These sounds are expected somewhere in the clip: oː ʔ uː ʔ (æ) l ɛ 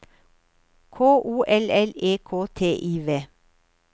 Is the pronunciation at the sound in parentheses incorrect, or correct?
incorrect